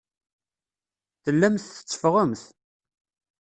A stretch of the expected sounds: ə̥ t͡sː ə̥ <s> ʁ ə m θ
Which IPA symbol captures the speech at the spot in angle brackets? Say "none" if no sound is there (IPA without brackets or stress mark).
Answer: f